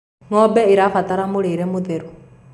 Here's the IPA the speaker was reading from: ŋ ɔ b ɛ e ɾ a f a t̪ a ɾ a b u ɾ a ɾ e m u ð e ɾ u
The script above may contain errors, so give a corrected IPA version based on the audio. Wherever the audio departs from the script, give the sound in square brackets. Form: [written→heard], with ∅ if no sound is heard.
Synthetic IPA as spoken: ŋ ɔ b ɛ [e→i] ɾ a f a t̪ a ɾ a [b→m] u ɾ [a→i] ɾ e m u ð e ɾ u